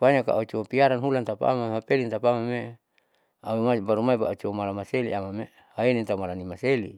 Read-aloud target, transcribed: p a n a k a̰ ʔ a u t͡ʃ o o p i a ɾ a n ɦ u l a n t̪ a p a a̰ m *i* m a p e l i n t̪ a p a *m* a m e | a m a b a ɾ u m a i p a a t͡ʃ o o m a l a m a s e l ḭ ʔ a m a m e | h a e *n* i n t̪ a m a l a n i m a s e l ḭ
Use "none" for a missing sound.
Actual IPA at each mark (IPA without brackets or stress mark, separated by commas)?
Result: a, m, n